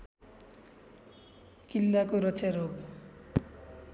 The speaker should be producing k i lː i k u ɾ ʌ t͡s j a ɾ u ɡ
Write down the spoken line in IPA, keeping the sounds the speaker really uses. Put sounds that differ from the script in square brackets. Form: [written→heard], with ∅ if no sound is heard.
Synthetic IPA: k i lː [i→a] k [u→o] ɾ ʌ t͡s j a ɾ [u→o] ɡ